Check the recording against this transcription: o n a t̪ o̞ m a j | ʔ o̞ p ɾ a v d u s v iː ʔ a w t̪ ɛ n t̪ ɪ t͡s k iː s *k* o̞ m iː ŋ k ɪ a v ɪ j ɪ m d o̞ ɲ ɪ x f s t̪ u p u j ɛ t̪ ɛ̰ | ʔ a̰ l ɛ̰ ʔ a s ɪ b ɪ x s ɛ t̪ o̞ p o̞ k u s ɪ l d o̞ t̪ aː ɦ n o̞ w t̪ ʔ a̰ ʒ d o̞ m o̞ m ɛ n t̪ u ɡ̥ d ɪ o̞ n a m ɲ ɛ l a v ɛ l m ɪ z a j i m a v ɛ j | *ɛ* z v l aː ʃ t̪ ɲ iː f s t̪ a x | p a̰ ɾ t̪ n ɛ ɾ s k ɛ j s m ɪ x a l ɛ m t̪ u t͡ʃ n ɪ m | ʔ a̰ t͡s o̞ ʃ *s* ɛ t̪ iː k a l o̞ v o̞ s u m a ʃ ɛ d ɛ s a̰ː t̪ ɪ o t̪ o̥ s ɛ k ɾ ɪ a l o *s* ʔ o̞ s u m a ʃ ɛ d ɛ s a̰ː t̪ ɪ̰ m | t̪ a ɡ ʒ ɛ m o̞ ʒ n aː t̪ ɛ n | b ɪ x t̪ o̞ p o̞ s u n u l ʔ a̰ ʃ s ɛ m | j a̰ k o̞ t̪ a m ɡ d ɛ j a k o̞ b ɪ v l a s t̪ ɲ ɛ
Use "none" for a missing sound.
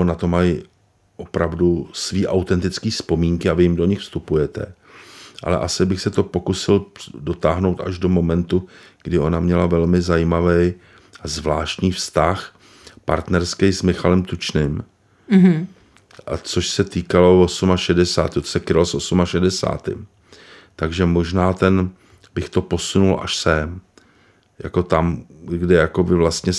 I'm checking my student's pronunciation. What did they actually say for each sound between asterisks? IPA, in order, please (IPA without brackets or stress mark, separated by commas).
p, a, s, s